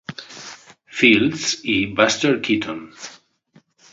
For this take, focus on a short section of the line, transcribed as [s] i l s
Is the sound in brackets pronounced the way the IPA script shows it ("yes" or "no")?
no